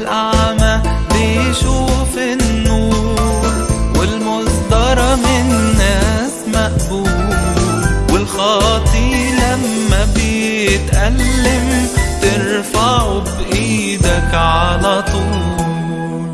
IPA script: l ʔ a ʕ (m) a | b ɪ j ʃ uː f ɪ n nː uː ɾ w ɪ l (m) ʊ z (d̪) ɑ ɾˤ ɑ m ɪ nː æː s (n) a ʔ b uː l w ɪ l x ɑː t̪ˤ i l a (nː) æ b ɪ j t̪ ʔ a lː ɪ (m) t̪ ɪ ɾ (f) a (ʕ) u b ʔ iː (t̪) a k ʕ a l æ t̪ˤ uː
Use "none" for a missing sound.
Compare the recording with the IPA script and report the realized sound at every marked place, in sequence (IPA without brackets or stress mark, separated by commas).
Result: m, m, d̪, m, mː, m, f, ʕ, d̪